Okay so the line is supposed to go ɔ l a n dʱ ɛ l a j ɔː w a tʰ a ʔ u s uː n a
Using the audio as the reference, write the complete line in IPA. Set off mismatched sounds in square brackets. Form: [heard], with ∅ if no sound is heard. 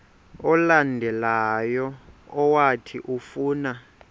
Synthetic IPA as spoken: ɔ l a n dʱ ɛ l a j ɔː w a tʰ [i] ʔ u [f] uː n a